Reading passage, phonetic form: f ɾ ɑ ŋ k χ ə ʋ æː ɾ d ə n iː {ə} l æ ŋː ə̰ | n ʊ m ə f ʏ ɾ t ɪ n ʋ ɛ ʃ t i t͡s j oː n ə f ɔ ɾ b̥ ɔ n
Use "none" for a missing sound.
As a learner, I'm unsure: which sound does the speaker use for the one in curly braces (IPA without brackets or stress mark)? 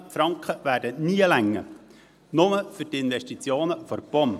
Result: ə